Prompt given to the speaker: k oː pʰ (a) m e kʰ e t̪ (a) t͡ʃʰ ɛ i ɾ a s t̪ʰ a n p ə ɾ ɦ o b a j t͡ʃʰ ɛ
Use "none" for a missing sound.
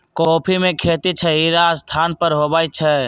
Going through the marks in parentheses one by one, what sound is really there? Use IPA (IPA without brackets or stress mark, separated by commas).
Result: i, i